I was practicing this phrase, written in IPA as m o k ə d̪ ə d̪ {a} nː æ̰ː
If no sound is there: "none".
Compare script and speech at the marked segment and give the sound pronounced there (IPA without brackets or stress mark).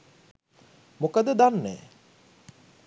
a